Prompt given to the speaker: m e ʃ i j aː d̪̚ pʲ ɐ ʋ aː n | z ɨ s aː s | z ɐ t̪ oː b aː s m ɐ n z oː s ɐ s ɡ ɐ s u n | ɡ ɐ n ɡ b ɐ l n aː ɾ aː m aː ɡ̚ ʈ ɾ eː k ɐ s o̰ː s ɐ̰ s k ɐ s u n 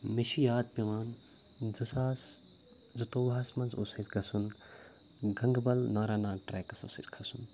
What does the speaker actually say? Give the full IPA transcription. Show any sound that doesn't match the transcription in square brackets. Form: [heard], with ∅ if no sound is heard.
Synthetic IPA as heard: m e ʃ i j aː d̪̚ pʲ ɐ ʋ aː n | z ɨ s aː s | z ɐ t̪ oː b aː s m ɐ n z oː s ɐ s ɡ ɐ s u n | ɡ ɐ [ŋ] ɡ b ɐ l n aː ɾ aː [n] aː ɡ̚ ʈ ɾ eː k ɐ s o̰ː s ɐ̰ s [kʰ] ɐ s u n